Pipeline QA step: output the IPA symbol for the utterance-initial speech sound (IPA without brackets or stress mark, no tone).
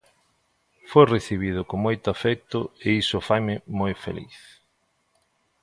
f